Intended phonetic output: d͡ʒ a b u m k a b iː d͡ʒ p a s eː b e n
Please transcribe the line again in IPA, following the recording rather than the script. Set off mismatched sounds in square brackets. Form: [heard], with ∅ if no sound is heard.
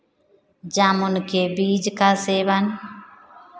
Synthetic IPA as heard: d͡ʒ a [m] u [n] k [e] b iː d͡ʒ [k] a s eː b [a] n

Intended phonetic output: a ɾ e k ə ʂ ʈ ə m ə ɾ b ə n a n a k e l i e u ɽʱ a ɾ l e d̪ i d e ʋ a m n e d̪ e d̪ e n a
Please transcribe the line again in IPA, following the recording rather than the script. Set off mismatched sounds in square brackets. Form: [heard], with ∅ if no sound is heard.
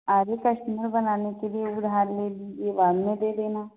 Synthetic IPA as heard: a ɾ e k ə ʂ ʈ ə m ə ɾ b ə n a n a k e l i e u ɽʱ a ɾ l e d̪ i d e ʋ a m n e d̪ e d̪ e n a

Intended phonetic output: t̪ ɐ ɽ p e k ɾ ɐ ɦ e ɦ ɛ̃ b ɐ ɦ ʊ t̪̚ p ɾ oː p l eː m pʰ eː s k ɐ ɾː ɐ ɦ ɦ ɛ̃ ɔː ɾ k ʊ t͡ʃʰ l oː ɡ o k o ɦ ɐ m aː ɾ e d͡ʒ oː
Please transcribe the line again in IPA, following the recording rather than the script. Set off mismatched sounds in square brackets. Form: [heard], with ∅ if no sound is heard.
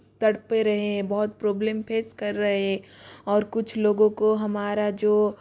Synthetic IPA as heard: t̪ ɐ ɽ p e [∅] ɾ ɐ ɦ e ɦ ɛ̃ b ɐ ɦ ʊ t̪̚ p ɾ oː [b] l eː m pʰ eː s k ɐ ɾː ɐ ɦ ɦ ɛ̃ ɔː ɾ k ʊ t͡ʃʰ l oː ɡ [õ] k o ɦ ɐ m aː ɾ [a] d͡ʒ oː

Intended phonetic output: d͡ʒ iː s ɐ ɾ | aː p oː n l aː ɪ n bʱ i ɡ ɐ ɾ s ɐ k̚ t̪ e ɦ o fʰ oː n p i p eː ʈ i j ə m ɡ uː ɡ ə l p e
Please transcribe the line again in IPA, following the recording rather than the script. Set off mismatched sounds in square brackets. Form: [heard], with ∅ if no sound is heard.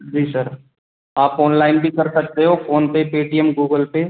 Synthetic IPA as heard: d͡ʒ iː s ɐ ɾ | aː p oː n l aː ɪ n bʱ i [k] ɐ ɾ s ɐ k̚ t̪ e ɦ o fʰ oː n p [e] p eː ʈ i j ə m ɡ uː ɡ ə l p e

